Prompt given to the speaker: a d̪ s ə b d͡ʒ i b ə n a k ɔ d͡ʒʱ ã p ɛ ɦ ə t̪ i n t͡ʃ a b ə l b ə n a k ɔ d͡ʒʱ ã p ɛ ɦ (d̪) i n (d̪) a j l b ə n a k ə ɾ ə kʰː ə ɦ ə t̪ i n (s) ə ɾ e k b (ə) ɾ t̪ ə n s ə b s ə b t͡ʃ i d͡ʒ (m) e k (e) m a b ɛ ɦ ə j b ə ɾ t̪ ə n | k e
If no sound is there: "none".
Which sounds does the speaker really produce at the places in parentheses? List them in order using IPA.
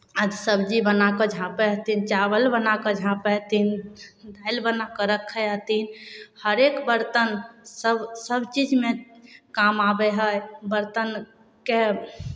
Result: t̪, d̪, h, ə, m, a

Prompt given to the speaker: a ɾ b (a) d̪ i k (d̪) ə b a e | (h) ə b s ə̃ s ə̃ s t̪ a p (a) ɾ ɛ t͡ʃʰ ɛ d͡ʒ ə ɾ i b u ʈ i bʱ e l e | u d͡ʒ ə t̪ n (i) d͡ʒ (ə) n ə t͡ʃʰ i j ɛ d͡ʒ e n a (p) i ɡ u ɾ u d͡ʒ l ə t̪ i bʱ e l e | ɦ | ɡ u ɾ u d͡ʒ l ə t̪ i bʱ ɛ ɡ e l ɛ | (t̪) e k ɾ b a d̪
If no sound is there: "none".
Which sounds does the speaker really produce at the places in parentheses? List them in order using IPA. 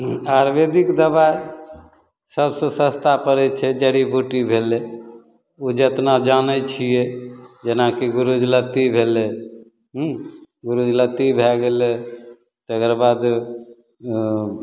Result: e, d̪, s, ə, a, a, k, t̪

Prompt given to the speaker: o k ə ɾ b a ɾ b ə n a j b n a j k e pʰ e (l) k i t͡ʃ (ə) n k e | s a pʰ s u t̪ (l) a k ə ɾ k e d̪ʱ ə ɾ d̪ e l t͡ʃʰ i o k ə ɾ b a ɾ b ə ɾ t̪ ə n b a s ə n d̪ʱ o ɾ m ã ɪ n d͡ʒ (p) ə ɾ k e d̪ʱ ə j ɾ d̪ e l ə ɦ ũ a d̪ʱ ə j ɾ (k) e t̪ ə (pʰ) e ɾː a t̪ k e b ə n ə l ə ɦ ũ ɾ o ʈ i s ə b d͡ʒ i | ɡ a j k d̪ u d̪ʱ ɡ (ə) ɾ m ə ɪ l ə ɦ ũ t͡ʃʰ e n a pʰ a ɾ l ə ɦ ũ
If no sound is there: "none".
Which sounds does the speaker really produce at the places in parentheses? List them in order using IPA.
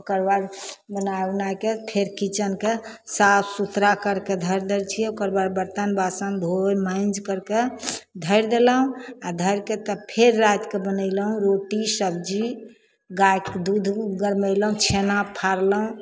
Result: ɾ, ə, ɾ, k, k, pʰ, ə

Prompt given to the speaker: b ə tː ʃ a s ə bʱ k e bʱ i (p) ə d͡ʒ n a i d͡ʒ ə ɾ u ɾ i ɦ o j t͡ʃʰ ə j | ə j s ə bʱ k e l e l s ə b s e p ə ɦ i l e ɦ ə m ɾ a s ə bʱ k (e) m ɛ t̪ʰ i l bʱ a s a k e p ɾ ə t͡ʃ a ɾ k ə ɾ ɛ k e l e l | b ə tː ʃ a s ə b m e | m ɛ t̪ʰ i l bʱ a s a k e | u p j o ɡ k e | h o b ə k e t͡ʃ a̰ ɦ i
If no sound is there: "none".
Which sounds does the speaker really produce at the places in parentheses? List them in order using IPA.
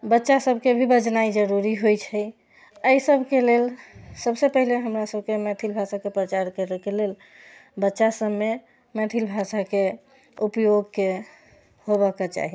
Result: b, e

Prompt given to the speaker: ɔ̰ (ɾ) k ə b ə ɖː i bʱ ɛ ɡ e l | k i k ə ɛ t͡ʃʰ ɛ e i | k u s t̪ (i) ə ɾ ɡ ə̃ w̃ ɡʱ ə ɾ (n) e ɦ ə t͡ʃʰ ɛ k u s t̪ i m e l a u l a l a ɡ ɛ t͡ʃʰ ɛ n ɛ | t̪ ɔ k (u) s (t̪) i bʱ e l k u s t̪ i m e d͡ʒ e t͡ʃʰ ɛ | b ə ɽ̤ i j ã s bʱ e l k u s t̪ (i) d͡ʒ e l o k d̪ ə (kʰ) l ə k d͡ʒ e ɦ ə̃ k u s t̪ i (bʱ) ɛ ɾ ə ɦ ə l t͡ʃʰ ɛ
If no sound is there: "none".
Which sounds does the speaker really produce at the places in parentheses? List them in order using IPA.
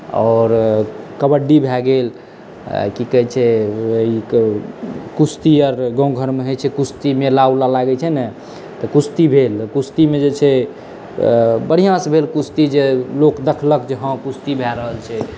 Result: ɾ, i, m, u, t̪, i, kʰ, bʱ

